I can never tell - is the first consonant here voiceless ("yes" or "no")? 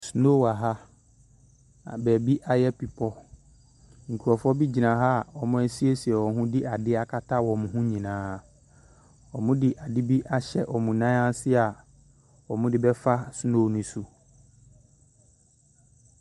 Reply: yes